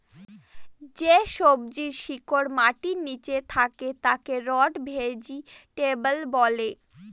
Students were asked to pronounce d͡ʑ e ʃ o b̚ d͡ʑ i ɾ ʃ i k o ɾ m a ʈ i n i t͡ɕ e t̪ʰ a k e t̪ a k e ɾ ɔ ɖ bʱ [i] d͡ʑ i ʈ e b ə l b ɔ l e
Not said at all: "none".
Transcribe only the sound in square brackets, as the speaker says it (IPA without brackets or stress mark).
e